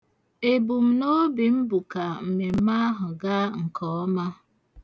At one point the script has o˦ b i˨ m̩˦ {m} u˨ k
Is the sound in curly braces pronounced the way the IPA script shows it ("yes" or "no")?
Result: no